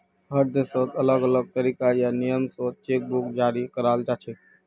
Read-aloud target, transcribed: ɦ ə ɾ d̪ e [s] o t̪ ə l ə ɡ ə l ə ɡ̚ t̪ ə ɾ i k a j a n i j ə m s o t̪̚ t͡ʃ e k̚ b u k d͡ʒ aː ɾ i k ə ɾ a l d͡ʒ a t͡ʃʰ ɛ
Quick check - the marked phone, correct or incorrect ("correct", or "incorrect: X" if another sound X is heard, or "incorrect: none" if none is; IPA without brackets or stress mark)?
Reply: correct